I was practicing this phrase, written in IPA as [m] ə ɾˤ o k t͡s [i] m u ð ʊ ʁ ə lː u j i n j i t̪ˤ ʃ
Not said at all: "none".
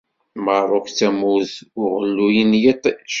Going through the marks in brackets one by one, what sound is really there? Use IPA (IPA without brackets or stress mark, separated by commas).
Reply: m, æ